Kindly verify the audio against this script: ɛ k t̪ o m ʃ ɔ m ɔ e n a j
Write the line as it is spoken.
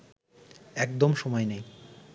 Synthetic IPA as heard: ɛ k d̪ o m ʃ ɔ m ɔ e n e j